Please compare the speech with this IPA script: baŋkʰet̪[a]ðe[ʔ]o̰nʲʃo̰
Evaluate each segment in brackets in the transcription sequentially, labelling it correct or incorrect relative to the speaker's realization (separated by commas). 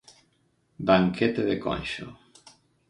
incorrect, incorrect